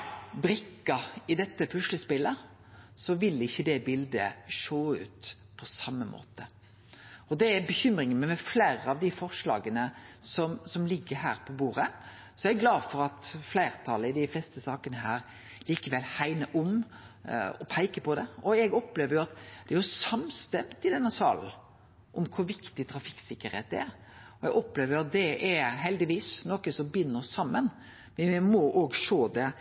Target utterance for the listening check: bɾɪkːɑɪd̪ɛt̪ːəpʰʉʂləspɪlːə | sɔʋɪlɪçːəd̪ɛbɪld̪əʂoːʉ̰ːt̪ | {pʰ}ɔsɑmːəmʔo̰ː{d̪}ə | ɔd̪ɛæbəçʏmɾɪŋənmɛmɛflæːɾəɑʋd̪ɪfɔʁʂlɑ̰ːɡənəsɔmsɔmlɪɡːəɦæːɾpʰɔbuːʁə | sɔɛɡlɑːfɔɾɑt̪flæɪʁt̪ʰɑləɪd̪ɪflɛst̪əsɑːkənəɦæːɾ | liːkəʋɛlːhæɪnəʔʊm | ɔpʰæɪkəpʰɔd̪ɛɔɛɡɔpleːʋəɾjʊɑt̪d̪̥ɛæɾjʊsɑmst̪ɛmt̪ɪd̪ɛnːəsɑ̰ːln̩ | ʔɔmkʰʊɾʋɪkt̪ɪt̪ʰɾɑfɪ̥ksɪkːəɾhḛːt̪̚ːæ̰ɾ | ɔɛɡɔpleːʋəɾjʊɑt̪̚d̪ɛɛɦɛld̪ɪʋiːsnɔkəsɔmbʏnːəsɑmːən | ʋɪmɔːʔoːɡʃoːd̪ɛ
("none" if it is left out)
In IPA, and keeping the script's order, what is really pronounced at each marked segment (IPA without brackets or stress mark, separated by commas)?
pʰ, t̪